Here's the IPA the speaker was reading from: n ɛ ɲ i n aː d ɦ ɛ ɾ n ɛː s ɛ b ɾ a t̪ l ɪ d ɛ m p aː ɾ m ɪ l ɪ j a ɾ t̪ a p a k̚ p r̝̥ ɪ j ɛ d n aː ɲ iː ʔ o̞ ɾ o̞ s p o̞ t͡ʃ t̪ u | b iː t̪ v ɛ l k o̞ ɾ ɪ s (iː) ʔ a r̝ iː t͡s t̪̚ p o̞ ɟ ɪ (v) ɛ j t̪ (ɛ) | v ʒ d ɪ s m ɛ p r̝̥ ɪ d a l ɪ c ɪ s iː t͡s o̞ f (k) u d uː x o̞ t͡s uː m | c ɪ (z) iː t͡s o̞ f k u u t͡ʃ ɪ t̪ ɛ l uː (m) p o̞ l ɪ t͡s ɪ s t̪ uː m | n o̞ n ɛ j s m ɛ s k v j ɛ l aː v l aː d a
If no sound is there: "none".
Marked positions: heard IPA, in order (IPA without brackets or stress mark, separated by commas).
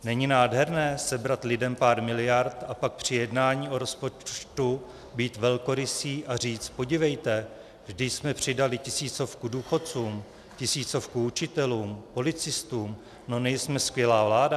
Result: iː, v, ɛ, k, s, m